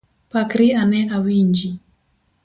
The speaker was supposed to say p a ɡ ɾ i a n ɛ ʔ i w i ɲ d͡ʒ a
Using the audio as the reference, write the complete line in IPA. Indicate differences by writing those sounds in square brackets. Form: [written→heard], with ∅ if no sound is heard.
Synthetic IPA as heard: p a [ɡ→k] ɾ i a n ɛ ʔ [i→a] w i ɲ d͡ʒ [a→i]